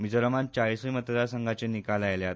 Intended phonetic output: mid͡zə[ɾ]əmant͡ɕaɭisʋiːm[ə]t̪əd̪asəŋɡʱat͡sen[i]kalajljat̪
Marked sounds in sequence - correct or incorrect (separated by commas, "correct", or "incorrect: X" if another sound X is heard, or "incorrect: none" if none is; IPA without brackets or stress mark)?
correct, correct, correct